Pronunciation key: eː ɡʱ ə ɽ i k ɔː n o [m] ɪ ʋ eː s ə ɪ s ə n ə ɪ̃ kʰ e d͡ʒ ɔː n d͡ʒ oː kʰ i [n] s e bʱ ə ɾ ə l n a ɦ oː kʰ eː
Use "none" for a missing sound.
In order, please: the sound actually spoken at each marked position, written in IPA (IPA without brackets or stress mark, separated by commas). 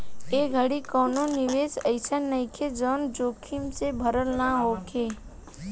n, m